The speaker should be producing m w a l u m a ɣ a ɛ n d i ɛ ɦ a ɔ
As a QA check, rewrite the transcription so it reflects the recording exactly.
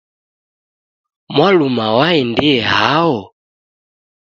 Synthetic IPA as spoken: m w a l u m a w a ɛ n d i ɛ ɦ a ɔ